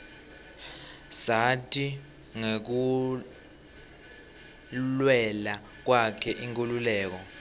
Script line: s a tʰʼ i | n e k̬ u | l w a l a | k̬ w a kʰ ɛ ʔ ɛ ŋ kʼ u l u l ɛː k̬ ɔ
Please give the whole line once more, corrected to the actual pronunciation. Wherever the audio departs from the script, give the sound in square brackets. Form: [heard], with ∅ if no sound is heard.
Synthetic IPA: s a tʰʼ i | [ŋ] e k̬ u | l w [ɛ] l a | k̬ w a kʰ ɛ ʔ [i] ŋ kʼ u l u l ɛː k̬ ɔ

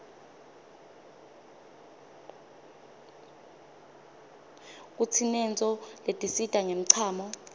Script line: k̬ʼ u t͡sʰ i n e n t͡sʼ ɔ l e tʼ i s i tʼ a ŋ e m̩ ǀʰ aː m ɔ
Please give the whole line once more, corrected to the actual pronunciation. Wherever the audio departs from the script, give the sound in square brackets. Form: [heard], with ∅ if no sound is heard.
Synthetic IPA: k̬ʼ u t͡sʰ i n [ɛ] n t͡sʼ ɔ l e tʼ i s i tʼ a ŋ e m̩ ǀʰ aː m ɔ

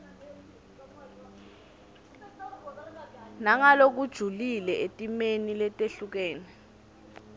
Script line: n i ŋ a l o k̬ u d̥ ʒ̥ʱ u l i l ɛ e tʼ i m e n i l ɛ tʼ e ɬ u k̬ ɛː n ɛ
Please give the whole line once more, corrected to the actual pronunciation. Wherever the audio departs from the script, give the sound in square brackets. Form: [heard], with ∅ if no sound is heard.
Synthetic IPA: n [a] ŋ a l o k̬ u d̥ ʒ̥ʱ u l i l ɛ e tʼ i m e n i l ɛ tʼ e ɬ u k̬ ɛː n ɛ

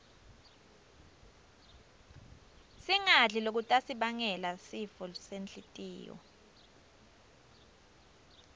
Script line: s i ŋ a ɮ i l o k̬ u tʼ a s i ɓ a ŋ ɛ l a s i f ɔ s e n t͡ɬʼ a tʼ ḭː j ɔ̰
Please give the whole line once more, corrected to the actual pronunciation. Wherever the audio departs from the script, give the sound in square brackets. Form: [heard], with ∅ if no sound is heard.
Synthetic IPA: s i ŋ a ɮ i l o k̬ u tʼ a s i ɓ a ŋ ɛ l a s i f ɔ s e n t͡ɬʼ [i] tʼ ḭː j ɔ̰

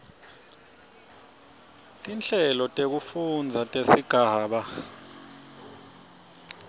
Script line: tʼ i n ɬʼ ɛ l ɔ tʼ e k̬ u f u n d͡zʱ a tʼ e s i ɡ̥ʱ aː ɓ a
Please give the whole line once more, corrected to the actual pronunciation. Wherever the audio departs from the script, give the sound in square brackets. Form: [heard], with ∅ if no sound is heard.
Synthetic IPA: tʼ i n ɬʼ ɛ l ɔ tʼ e k̬ u f u n d͡zʱ a tʼ e s i ɡ̥ʱ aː ɓ a

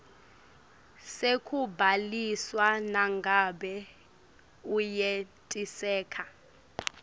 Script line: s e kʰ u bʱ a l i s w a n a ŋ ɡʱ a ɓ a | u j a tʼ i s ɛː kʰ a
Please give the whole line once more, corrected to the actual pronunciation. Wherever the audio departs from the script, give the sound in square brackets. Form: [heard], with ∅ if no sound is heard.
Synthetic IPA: s e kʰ u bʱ a l i s w a n a ŋ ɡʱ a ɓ [ɛ] | u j [e] tʼ i s ɛː kʰ a

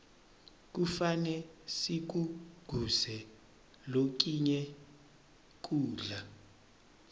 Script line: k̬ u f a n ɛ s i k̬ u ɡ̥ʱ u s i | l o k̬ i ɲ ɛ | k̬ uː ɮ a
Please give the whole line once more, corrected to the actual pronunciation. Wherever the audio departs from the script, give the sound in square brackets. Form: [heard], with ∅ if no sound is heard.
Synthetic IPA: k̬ u f a n ɛ s i k̬ u ɡ̥ʱ u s [ɛ] | l o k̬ i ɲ ɛ | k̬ uː ɮ a

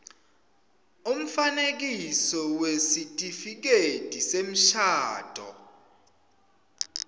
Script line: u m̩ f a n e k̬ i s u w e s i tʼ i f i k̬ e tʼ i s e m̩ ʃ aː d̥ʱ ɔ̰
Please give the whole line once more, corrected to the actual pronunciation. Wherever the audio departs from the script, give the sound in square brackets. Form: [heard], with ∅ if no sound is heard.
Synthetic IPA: u m̩ f a n e k̬ i s [ɔ] w e s i tʼ i f i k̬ e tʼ i s e m̩ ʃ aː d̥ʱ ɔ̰

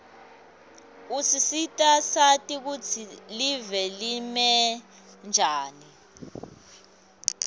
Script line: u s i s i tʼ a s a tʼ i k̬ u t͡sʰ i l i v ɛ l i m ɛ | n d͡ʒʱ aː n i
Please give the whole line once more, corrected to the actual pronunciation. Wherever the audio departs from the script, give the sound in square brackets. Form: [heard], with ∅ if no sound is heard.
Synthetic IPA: u s i s i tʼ a s a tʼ i k̬ u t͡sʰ i l i v ɛ l i m ɛ | n d͡ʒʱ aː n i

